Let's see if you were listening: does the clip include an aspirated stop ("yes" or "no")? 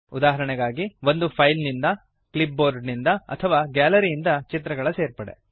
yes